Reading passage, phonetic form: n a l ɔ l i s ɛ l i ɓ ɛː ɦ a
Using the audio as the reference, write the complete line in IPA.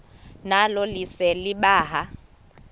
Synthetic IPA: n a l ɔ l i s ɛ l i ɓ aː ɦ a